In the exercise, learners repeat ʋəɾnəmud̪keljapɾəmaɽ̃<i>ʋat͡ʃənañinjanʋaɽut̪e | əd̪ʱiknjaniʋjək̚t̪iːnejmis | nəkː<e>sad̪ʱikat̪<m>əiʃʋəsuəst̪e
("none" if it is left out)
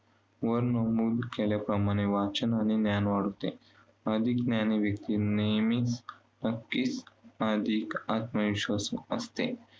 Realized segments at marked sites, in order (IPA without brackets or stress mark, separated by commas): e, i, m